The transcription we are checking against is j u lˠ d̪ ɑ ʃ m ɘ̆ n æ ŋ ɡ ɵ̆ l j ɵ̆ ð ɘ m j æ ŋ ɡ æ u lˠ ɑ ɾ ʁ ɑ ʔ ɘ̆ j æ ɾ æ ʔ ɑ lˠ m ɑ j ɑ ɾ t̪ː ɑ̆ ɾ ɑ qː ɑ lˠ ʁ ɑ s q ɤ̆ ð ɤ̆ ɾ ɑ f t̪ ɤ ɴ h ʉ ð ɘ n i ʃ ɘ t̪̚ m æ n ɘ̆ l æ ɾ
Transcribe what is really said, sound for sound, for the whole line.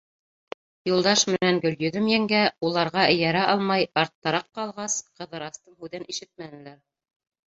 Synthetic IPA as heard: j u lˠ d̪ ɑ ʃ m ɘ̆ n æ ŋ ɡ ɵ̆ l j ɵ̆ ð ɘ m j æ ŋ ɡ æ u lˠ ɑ ɾ ʁ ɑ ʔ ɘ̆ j æ ɾ æ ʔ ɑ lˠ m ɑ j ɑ ɾ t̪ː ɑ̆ ɾ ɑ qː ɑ lˠ ʁ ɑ s q ɤ̆ ð ɤ̆ ɾ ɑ s t̪ ɤ ɴ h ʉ ð ɘ n i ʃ ɘ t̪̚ m æ n ɘ̆ l æ ɾ